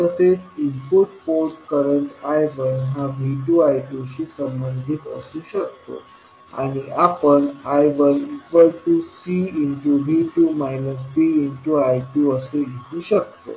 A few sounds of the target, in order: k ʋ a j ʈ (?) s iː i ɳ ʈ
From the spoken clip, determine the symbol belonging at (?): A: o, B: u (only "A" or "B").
B